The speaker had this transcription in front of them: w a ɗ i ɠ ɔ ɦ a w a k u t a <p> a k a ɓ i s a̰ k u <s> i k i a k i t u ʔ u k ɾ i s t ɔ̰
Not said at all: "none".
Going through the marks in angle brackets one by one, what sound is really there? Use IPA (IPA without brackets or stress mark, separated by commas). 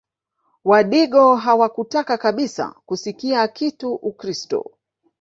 k, s